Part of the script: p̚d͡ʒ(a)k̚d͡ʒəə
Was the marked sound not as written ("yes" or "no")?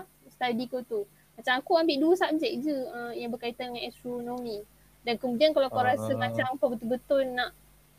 yes